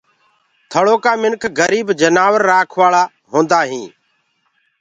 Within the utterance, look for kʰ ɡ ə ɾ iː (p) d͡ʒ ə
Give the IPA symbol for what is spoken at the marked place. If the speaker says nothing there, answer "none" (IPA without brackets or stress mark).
b